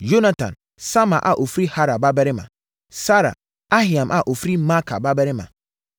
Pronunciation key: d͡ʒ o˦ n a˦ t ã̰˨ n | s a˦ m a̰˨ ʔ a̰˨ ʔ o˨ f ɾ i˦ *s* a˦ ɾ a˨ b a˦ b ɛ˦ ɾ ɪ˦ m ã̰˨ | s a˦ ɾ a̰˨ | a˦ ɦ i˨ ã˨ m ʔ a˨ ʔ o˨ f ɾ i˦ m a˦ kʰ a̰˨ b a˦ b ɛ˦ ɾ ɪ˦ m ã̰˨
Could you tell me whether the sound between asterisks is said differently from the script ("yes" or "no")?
yes